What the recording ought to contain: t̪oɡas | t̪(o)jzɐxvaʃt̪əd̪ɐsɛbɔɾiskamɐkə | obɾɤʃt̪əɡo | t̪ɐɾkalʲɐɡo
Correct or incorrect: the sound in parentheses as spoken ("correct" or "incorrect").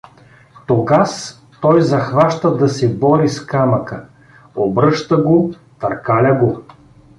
incorrect